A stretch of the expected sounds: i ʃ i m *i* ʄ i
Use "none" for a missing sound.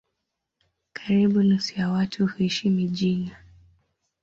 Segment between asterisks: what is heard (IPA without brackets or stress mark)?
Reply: i